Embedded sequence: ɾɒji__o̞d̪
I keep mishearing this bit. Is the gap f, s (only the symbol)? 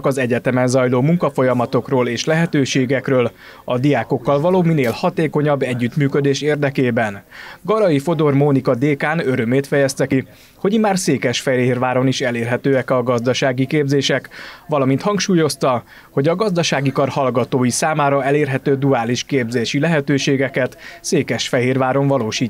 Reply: f